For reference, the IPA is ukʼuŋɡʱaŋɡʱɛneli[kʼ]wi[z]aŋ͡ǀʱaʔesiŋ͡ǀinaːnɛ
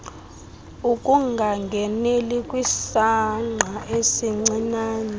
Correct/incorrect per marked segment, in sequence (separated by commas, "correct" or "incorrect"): correct, incorrect